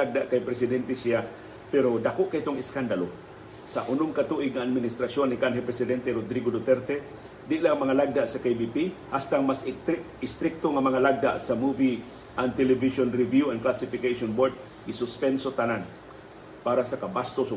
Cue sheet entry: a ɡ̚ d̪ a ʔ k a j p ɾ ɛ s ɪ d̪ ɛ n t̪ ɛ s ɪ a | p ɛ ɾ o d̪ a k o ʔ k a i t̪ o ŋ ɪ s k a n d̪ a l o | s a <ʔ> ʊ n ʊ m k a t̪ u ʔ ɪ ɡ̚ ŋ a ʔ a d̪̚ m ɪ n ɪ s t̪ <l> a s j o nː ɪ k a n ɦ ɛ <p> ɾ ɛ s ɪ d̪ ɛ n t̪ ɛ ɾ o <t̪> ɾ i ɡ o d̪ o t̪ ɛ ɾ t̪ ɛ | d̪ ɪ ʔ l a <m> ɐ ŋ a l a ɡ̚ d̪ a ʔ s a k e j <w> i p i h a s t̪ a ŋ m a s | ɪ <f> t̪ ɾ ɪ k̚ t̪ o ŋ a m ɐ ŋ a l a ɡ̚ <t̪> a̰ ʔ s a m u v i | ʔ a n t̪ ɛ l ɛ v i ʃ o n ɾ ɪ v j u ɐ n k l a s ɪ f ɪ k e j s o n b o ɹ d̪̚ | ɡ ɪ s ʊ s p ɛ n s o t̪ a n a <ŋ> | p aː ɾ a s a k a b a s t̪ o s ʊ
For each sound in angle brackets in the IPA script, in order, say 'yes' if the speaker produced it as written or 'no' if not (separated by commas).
yes, no, yes, no, yes, no, no, no, no